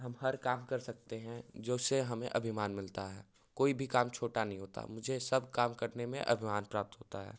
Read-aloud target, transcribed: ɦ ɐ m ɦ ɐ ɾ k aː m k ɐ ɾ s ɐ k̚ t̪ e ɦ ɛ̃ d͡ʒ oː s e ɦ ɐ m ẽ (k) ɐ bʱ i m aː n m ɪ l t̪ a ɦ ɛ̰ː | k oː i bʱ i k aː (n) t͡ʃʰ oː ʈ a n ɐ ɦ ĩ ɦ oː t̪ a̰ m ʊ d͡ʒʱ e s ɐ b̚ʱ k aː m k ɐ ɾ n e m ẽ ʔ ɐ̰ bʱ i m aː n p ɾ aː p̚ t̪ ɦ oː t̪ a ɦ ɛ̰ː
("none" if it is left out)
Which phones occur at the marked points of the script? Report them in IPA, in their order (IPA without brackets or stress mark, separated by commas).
ʔ, m